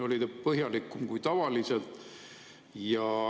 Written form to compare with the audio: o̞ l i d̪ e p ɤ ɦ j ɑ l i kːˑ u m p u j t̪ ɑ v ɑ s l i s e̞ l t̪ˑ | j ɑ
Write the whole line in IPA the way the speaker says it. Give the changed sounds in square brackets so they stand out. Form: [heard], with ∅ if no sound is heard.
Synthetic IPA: o̞ l i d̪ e p ɤ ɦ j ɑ l i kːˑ u m [k] u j t̪ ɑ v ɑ [∅] l i s e̞ l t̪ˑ | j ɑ